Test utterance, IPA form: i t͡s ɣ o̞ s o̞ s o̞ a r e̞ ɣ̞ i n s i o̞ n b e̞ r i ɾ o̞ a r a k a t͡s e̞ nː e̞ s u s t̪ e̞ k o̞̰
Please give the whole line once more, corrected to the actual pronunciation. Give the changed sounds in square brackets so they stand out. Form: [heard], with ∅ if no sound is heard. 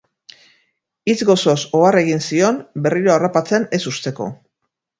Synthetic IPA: i t͡s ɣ o̞ s o̞ s o̞ a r e̞ ɣ̞ i n s i o̞ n b e̞ r i ɾ o̞ a r a [p] a t͡s e̞ [n] e̞ s u s t̪ e̞ k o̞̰